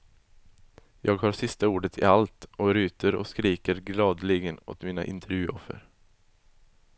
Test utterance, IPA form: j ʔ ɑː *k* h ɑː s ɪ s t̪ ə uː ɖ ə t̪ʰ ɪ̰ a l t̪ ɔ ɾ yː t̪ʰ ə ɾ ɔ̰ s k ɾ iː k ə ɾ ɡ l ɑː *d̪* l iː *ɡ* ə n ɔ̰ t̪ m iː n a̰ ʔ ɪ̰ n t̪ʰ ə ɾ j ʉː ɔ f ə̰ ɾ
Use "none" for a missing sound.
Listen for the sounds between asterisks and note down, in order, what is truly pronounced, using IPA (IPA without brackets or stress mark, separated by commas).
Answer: ɡ, d̪, ɡ